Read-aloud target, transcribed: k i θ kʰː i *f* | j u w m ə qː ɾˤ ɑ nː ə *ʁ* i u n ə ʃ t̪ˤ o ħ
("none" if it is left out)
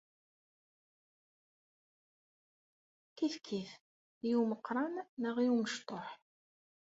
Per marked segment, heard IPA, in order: θ, ʁ

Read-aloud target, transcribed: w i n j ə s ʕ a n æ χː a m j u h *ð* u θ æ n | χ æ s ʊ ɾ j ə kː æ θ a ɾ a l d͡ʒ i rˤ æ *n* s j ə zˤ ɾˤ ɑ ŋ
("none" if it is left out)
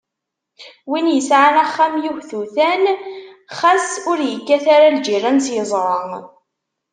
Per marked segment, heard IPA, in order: θ, n

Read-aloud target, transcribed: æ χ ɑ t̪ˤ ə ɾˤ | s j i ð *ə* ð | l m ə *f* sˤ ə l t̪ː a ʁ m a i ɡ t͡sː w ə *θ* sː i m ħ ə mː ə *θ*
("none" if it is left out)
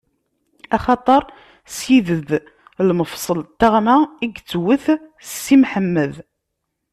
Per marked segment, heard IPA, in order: ə, f, θ, ð

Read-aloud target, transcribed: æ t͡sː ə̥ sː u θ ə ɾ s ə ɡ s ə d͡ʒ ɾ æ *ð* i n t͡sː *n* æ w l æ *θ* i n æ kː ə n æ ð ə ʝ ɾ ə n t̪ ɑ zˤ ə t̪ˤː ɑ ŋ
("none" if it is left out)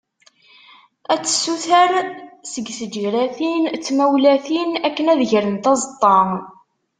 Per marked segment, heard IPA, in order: θ, m, θ

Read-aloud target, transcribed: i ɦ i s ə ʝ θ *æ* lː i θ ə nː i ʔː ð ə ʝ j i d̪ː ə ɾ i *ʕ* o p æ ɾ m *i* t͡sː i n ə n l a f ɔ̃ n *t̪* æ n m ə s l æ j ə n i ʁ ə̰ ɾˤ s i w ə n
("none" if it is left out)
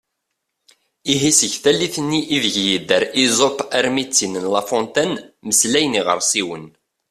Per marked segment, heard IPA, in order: æ, z, i, t̪

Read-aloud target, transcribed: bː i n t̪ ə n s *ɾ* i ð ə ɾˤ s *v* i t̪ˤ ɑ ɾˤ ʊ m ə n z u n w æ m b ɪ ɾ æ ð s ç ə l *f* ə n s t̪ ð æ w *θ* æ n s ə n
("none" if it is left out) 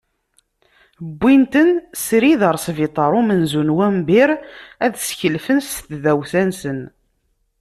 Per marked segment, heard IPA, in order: ɾ, v, f, θ

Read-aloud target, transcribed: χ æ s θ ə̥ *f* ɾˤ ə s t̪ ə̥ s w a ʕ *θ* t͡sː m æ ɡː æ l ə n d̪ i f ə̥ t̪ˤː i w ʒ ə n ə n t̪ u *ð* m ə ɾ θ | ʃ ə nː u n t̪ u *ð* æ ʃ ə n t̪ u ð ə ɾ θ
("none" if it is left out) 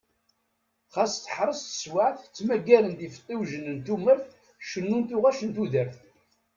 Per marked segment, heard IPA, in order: ħ, θ, none, ʁ

